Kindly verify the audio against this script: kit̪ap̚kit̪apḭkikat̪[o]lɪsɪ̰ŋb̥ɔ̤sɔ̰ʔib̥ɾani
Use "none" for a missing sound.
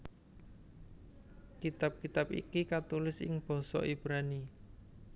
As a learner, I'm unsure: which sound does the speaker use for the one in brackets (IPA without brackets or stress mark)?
u